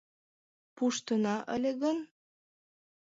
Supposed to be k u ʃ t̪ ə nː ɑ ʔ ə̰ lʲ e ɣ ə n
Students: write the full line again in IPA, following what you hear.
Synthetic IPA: p u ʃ t̪ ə n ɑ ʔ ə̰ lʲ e ɣ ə n